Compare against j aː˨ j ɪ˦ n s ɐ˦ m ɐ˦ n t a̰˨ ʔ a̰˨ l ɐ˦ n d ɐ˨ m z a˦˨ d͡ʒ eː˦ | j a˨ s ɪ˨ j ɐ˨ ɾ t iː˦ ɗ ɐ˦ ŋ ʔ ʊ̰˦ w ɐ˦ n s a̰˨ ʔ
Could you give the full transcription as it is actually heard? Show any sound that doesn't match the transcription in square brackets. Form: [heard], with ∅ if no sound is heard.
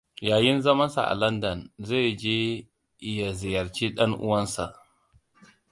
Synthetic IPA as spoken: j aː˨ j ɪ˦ n [z] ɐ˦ m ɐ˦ n [s] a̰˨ ʔ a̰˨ l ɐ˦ n d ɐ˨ [n] z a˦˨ d͡ʒ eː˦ | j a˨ [z] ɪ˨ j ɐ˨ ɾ [t͡ʃ] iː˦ ɗ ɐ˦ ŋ ʔ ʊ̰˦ w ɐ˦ n s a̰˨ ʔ